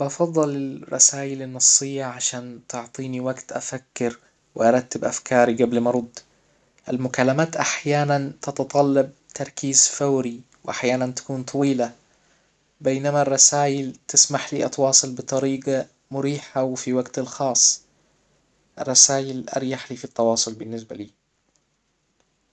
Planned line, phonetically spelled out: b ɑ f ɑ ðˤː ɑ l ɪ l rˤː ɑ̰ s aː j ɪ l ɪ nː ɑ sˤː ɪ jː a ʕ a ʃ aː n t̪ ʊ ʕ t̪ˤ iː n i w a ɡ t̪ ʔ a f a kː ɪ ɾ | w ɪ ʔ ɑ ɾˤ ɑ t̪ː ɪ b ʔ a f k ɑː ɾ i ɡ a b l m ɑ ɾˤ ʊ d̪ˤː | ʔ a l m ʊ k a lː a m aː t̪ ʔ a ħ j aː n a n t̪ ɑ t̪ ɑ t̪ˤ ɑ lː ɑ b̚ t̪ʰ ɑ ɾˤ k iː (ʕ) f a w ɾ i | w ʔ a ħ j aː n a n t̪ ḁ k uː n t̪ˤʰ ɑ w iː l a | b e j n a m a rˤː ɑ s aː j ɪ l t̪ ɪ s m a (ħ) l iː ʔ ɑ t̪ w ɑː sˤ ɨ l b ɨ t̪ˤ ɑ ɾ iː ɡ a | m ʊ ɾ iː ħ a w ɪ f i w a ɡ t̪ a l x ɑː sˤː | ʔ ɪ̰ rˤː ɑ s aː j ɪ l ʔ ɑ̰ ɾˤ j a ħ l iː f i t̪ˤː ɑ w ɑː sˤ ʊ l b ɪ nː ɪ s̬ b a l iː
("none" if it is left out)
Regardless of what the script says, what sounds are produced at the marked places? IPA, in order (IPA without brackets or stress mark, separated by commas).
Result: z, ħ